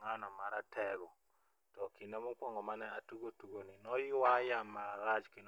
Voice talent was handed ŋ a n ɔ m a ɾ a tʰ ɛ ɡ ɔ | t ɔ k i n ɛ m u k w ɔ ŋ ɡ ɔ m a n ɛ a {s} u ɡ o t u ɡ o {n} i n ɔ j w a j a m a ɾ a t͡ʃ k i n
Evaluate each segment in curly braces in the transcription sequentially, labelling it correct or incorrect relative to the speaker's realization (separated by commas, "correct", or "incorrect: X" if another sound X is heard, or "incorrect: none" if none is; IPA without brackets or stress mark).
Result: incorrect: t, correct